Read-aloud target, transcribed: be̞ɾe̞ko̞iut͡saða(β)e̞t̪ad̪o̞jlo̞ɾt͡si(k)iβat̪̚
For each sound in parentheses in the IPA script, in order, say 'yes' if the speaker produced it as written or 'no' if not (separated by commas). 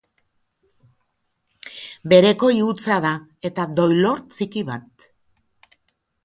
no, yes